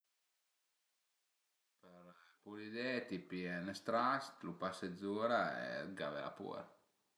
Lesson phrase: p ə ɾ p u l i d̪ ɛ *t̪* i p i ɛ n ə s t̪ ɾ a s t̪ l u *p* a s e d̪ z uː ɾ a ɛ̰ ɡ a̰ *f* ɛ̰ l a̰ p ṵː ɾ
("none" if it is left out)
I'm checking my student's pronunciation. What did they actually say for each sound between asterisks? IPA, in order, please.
t̪, p, v

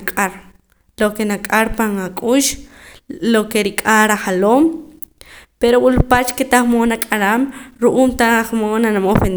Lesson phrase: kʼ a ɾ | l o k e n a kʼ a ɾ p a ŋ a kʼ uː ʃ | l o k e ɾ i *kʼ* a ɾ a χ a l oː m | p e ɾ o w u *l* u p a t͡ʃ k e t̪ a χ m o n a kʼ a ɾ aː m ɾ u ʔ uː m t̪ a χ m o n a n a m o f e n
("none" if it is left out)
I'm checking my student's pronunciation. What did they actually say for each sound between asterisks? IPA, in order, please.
kʼ, l

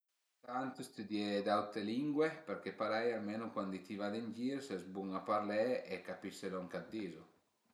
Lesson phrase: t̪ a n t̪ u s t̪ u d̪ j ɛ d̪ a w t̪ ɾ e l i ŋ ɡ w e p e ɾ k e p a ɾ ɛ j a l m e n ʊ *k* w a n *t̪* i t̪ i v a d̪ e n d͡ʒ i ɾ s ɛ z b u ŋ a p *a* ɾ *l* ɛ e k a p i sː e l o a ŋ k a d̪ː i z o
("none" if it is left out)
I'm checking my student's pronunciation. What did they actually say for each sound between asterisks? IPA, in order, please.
k, d̪, a, l

